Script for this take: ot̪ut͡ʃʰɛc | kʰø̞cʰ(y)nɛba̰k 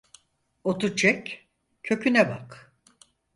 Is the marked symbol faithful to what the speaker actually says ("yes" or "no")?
yes